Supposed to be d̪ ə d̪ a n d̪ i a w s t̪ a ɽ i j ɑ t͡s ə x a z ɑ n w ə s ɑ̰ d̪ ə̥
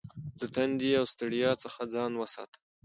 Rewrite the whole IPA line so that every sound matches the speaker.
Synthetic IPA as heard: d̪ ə t̪ a n d̪ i a w s t̪ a ɽ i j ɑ t͡s ə x a d͡z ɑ n w ə s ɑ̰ t̪ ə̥